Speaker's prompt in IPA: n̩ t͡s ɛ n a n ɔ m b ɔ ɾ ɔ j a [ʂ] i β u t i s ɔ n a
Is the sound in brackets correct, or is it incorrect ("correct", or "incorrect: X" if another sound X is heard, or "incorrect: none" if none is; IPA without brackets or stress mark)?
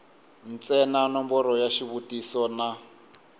incorrect: ʃ